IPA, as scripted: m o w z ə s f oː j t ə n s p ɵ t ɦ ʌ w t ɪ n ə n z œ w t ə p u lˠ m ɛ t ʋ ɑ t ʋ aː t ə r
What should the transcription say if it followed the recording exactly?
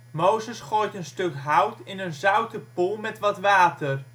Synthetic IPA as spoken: m o w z ə s χ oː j t ə n s t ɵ k ɦ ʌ w t ɪ n ə n z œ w t ə p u lˠ m ɛ t ʋ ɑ t ʋ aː t ə r